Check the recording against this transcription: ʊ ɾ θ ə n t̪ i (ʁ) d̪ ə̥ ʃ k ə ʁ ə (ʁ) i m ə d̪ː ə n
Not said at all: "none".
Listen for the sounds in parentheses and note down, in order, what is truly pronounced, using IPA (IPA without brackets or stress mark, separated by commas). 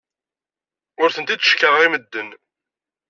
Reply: none, ʁ